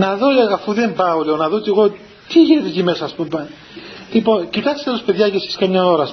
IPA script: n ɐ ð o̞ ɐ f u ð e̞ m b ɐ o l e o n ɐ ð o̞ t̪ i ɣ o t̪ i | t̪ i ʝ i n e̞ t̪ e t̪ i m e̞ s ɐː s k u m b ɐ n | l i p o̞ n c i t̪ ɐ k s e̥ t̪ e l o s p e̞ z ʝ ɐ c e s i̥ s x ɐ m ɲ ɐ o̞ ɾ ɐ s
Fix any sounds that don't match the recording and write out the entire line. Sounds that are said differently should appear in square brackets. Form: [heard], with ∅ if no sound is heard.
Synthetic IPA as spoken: n ɐ ð o̞ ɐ f u ð e̞ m b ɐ o l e o n ɐ ð o̞ t̪ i ɣ o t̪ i | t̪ i ʝ i n e̞ t̪ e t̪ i m e̞ s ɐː s [p] u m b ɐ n | l i p o̞ n c i t̪ ɐ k s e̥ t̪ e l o s p e̞ [ð] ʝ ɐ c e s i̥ s [k] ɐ m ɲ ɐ o̞ ɾ ɐ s